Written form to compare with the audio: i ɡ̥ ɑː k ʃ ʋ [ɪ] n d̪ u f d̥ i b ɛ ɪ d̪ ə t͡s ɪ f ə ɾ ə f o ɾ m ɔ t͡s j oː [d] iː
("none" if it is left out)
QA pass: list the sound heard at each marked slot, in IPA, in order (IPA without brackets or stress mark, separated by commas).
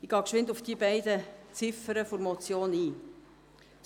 ɪ, n